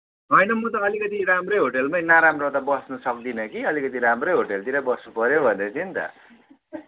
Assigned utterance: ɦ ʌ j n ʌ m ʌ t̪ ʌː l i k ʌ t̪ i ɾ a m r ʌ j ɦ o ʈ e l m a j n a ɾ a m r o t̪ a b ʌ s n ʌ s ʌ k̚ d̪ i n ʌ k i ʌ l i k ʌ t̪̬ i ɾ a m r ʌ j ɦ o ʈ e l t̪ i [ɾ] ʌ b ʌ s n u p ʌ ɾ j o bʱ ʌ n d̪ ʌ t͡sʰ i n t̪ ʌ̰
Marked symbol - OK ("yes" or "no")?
yes